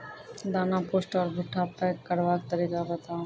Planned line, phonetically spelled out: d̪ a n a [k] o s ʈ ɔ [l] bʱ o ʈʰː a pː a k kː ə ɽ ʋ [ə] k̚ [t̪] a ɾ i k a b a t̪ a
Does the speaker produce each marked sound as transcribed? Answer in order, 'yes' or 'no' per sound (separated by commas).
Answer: no, no, no, yes